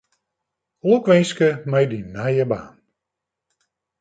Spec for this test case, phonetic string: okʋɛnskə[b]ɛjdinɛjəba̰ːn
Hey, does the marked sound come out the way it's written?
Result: no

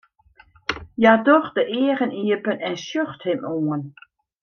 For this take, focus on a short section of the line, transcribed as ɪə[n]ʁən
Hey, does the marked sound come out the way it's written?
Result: no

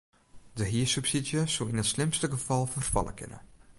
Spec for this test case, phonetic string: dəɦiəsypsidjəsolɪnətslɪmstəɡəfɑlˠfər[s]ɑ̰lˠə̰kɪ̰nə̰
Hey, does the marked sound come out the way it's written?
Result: no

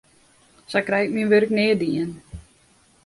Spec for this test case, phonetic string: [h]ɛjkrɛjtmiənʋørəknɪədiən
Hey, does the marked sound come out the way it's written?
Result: no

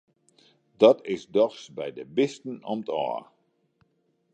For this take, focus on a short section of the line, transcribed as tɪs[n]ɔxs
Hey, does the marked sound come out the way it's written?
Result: no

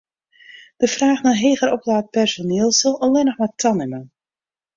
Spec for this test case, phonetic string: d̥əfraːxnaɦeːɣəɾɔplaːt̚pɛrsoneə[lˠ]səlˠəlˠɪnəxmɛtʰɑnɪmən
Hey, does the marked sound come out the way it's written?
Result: yes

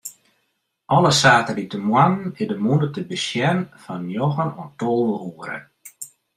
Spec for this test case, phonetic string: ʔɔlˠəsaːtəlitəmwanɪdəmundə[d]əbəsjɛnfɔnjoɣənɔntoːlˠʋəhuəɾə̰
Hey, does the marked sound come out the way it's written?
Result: no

